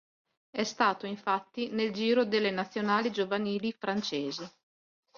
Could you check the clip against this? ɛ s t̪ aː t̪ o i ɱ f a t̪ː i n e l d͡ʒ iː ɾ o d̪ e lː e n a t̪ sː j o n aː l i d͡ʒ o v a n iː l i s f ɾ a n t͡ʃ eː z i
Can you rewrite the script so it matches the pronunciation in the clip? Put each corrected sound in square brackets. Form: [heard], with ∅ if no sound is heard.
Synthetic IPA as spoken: ɛ s t̪ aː t̪ o i ɱ f a t̪ː i n e l d͡ʒ iː ɾ o d̪ e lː e n a t̪ sː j o n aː l i d͡ʒ o v a n iː l i [∅] f ɾ a n t͡ʃ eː z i